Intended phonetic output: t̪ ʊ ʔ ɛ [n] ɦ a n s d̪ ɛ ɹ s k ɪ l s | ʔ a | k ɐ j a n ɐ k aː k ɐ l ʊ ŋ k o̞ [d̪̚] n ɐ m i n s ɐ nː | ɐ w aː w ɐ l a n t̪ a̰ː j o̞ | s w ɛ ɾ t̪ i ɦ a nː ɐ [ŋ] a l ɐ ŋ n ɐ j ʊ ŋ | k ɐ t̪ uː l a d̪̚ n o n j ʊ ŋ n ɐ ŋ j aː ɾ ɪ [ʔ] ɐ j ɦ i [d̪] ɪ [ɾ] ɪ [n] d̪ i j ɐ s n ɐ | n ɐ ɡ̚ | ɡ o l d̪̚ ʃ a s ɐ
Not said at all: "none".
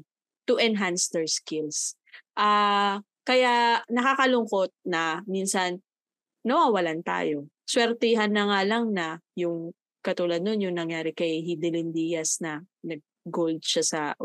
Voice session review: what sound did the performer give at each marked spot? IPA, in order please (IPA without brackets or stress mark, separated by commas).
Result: n, t̪̚, ŋ, k, d̪, l, n